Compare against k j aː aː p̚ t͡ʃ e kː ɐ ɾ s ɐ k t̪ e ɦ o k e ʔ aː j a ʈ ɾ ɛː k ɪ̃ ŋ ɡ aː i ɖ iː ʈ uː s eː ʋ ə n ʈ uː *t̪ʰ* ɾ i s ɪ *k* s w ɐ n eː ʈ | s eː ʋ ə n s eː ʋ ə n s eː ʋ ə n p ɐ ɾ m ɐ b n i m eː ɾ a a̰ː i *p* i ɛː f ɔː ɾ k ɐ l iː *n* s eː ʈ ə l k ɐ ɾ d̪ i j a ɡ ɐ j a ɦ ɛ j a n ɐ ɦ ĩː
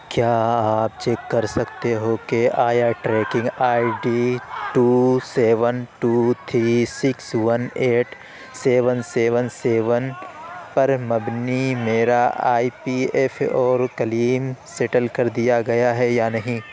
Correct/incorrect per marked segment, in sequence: correct, correct, correct, incorrect: m

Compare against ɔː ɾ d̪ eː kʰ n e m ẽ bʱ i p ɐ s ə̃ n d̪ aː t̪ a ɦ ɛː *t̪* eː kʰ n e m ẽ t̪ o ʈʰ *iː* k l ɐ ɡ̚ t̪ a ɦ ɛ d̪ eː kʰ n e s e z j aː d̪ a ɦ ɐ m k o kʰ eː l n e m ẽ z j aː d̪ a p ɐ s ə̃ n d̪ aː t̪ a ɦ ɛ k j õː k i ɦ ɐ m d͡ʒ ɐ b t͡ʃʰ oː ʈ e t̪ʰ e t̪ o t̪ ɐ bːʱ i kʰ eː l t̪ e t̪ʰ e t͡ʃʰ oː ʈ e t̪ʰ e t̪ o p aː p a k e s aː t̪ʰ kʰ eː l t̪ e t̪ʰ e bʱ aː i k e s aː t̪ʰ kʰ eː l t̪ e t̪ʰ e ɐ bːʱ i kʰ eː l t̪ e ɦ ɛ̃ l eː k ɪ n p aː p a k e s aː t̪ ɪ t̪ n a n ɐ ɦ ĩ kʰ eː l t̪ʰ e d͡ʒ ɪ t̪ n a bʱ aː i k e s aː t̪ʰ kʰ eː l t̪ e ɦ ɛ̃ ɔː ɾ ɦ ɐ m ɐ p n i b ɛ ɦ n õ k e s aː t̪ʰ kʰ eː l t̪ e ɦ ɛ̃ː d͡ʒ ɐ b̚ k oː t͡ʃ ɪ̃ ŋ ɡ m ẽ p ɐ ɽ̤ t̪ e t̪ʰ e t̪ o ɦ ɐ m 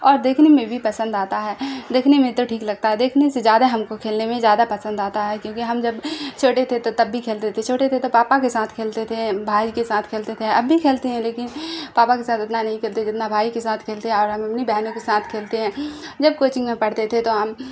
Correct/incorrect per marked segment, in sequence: incorrect: d̪, correct

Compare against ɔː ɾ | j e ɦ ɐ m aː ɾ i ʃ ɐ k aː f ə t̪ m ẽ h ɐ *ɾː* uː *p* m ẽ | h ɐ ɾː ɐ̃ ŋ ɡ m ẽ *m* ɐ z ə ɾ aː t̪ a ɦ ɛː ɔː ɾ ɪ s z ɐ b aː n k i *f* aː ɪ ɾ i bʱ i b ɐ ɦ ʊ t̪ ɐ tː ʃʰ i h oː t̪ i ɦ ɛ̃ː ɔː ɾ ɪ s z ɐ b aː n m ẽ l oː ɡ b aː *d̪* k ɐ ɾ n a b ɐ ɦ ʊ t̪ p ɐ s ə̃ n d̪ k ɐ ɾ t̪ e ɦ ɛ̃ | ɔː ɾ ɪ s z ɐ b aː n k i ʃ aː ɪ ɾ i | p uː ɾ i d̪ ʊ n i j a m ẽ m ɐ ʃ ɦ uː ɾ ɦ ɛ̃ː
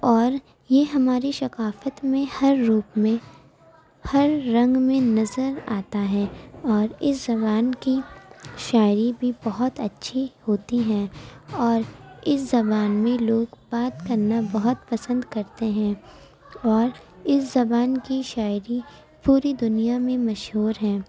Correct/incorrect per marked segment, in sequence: correct, correct, incorrect: n, incorrect: ʃ, incorrect: t̪

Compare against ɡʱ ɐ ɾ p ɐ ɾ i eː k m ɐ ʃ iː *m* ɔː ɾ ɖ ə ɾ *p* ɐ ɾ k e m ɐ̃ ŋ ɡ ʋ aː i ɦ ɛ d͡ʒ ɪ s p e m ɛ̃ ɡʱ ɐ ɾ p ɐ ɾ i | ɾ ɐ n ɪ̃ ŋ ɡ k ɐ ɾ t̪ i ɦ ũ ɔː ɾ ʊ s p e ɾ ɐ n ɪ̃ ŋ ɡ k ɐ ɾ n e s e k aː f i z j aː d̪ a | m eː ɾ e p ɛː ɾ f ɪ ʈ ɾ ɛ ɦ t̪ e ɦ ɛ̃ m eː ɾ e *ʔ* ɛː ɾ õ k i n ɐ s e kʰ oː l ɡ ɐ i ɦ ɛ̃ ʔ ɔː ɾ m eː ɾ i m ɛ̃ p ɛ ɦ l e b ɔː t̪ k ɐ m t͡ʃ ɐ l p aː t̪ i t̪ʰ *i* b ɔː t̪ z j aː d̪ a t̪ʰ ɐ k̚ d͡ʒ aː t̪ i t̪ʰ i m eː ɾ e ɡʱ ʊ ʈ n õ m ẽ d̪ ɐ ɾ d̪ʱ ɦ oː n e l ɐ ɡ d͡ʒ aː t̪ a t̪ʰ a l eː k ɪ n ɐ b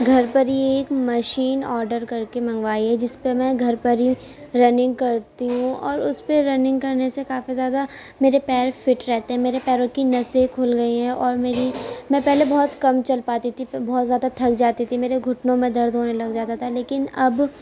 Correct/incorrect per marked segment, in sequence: incorrect: n, incorrect: k, incorrect: p, correct

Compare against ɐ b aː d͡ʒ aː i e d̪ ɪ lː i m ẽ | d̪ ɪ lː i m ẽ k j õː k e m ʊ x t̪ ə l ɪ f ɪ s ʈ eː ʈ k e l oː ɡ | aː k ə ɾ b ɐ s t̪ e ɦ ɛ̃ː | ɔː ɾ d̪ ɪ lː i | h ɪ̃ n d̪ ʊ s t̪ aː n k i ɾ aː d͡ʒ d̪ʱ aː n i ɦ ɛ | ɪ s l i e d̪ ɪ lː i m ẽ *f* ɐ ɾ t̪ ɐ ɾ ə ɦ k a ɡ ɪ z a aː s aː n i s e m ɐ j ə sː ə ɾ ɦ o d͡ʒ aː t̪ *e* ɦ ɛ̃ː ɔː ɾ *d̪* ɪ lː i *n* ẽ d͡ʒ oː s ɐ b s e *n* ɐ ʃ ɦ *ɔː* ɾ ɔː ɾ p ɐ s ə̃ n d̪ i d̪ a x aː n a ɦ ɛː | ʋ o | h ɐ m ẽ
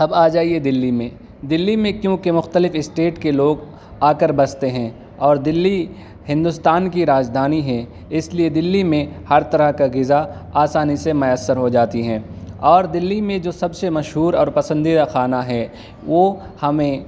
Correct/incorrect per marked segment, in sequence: incorrect: h, incorrect: i, correct, incorrect: m, incorrect: m, incorrect: uː

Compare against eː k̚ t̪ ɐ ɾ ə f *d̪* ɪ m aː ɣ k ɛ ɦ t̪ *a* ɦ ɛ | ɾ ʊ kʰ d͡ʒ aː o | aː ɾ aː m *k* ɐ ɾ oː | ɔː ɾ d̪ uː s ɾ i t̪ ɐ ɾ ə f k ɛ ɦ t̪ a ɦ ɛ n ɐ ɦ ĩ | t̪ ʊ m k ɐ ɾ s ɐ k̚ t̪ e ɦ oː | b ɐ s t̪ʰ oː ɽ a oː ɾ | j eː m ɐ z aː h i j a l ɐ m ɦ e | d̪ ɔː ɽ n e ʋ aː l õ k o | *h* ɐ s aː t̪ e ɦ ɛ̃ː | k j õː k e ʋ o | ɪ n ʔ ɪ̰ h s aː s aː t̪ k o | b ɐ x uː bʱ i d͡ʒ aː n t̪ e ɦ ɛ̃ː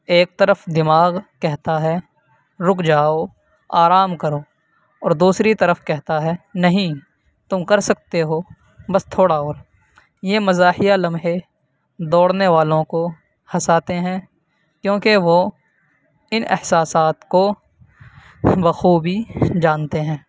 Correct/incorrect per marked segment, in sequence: correct, correct, correct, correct

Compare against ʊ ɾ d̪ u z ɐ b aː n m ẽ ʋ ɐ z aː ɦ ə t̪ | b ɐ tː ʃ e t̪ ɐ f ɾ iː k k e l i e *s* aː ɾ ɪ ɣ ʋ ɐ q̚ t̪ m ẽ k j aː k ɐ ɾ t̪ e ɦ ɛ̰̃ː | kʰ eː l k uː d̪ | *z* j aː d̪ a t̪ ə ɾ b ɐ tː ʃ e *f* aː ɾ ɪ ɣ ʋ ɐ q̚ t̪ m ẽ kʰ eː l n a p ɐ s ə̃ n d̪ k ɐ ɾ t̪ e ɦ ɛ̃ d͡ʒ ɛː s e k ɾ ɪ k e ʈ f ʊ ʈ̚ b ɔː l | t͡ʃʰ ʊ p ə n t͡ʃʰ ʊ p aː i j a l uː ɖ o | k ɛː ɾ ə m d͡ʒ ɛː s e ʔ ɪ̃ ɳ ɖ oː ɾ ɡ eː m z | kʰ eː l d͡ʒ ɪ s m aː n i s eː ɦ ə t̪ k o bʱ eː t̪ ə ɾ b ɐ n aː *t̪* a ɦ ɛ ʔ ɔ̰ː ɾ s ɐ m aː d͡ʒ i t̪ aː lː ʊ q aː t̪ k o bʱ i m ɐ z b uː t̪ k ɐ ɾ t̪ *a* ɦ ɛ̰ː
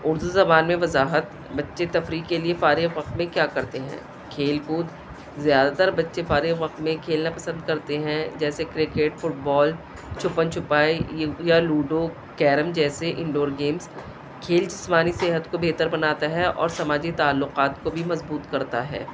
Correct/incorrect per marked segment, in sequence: incorrect: f, correct, correct, correct, correct

